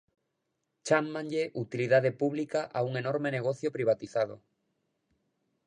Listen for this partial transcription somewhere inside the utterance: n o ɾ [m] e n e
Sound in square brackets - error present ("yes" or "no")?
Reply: no